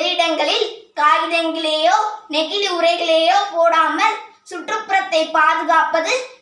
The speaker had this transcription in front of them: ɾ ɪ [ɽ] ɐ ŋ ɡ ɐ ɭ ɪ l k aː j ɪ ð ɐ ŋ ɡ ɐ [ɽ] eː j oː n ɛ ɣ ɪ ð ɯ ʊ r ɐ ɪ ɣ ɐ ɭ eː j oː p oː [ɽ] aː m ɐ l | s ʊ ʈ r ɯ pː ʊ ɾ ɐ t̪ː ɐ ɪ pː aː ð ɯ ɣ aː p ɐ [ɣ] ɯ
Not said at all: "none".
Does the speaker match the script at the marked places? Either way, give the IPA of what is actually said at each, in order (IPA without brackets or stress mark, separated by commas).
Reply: ɽ, ɭ, ɽ, ð